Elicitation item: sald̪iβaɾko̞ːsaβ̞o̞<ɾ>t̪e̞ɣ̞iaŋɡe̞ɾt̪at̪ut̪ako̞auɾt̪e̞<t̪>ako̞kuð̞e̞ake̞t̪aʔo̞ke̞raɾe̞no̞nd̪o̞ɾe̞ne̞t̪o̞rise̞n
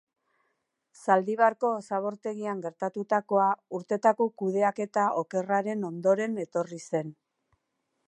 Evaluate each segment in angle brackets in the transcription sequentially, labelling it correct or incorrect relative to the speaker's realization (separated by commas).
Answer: correct, correct